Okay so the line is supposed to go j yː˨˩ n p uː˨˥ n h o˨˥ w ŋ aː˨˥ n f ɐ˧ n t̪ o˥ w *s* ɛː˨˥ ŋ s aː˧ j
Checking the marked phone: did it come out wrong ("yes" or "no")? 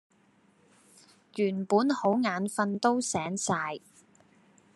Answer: no